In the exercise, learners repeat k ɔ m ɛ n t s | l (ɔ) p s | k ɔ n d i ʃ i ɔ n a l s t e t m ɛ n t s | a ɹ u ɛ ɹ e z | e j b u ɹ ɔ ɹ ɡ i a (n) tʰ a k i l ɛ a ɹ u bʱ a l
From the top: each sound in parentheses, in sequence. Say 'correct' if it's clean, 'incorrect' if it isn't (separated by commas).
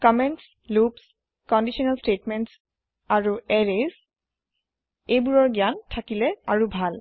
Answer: incorrect, correct